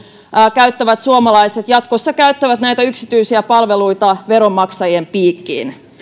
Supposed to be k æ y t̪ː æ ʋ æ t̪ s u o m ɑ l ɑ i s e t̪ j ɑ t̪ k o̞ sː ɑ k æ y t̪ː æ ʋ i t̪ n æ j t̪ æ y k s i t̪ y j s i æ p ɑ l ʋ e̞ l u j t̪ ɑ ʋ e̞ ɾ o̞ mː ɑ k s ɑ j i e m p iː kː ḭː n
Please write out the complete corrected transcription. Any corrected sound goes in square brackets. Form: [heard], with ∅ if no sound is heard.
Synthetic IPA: k æ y t̪ː æ ʋ æ t̪ s u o m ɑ l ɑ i s e t̪ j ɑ t̪ k o̞ sː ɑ k æ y t̪ː æ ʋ [æ] t̪ n æ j t̪ æ y k s i t̪ y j s i æ p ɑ l ʋ e̞ l u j t̪ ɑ ʋ e̞ ɾ o̞ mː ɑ k s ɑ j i e m p iː kː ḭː n